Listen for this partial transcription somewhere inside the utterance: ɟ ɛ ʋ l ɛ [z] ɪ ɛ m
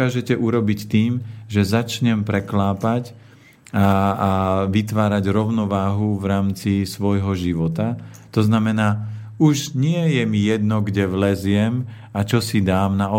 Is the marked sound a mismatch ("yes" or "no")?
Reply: no